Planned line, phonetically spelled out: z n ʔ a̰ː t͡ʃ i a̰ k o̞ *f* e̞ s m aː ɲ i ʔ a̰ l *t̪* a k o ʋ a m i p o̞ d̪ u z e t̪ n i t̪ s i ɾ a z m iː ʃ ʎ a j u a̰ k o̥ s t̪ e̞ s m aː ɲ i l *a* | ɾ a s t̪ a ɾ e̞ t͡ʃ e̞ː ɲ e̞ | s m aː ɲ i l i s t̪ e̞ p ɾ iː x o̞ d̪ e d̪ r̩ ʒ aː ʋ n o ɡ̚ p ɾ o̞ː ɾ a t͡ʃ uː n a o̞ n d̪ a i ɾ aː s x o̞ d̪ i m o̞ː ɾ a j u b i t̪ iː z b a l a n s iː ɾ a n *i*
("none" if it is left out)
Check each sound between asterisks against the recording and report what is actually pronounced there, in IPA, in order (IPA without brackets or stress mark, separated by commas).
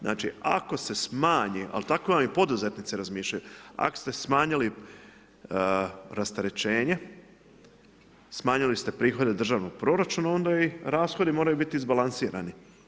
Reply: s, t̪, i, i